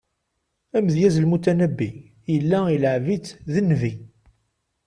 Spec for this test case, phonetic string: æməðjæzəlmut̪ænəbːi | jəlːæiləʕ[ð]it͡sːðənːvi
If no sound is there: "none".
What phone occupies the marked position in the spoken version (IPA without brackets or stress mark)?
v